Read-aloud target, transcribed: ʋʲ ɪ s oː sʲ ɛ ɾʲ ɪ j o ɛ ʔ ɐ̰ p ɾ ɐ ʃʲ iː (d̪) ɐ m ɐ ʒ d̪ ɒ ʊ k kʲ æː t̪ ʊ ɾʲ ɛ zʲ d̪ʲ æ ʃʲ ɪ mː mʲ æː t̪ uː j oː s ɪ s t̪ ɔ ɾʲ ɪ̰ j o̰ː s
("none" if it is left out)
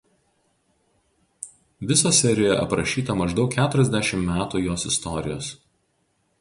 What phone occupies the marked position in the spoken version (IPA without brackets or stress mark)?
t̪